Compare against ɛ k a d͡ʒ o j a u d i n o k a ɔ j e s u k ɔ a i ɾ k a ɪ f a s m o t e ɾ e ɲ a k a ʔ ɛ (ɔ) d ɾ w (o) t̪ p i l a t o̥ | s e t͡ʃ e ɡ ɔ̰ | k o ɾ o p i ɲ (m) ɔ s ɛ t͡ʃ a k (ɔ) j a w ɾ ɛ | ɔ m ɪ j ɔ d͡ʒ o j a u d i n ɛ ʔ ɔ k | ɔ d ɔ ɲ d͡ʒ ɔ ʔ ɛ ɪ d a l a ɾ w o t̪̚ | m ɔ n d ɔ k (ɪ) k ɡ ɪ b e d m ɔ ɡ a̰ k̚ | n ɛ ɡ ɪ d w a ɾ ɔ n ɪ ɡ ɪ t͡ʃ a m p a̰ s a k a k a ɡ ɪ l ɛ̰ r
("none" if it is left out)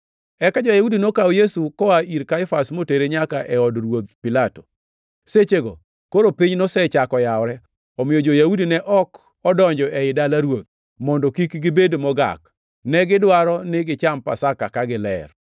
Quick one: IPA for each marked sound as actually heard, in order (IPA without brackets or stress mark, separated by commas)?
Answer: ɔ, o, n, ɔ, i